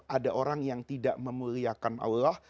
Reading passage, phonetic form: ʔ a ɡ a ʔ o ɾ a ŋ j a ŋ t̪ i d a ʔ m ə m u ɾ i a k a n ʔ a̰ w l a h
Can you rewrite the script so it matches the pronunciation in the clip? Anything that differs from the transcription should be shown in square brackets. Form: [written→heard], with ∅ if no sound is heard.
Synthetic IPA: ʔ a [ɡ→d] a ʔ o ɾ a ŋ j a ŋ t̪ i d a ʔ m ə m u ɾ i a k a n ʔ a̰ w l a h